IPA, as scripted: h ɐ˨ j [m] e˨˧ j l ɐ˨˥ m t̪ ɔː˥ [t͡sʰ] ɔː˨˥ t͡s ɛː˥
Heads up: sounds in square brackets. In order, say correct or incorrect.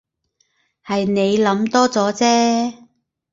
incorrect, incorrect

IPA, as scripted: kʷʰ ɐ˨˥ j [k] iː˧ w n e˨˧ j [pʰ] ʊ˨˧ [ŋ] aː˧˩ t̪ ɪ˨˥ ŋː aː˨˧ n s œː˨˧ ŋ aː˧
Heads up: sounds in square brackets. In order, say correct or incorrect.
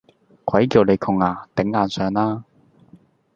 correct, incorrect, correct

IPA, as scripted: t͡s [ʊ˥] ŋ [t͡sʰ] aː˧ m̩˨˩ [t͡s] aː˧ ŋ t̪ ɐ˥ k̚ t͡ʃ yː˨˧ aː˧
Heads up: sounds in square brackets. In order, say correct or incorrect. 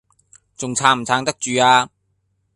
incorrect, correct, incorrect

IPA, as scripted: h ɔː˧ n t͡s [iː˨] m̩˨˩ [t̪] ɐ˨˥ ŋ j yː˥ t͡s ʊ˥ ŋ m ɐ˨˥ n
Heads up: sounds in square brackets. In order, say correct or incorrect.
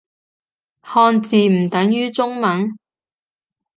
correct, correct

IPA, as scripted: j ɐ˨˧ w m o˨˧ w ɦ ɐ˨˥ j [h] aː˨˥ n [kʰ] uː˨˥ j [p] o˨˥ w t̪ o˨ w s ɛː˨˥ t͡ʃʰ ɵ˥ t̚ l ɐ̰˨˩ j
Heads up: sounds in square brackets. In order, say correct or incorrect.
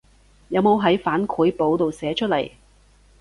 incorrect, correct, correct

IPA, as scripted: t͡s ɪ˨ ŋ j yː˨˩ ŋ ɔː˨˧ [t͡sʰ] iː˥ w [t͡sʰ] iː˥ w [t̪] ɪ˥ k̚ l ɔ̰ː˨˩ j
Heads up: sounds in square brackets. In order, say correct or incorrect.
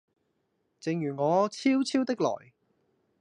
correct, correct, correct

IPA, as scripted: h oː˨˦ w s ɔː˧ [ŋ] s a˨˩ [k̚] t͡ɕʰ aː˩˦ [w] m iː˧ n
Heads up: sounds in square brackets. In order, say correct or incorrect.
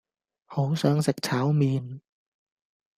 correct, correct, correct

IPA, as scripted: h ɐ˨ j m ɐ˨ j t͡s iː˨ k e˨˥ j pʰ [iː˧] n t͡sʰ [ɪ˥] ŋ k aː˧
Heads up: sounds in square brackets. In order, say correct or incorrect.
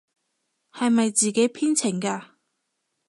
incorrect, incorrect

